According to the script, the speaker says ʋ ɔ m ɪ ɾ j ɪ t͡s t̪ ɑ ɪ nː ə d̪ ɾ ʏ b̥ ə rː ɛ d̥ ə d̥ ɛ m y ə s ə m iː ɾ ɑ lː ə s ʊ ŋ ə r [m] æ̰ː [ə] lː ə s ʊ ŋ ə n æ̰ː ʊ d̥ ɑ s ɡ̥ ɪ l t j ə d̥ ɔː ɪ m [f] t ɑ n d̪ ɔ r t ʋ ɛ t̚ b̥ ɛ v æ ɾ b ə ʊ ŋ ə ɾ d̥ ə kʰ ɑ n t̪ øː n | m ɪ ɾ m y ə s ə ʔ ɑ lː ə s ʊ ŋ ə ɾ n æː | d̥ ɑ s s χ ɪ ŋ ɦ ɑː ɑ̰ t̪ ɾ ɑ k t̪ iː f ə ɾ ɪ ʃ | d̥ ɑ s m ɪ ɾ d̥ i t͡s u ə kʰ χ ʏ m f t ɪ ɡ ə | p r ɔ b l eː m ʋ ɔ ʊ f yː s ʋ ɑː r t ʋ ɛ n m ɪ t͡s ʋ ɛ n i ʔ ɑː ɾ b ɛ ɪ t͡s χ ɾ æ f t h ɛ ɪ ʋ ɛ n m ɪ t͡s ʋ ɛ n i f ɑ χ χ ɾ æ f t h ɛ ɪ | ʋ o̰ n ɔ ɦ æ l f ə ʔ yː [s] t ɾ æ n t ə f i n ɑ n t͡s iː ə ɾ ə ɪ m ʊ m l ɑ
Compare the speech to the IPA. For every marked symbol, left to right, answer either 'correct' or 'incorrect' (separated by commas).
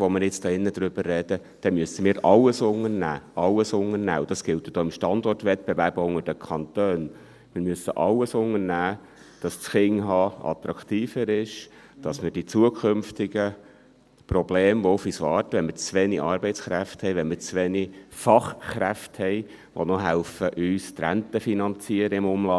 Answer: incorrect, incorrect, incorrect, correct